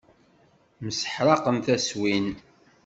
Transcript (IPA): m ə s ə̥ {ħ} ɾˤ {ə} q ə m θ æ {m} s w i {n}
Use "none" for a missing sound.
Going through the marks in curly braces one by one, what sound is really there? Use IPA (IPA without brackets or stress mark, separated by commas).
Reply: ħ, ɑ, none, n